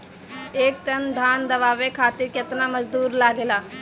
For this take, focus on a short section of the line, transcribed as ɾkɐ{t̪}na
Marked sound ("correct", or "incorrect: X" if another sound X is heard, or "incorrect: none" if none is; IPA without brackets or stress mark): correct